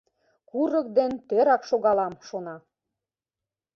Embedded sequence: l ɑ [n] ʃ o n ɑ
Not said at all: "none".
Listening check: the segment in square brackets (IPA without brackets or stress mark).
m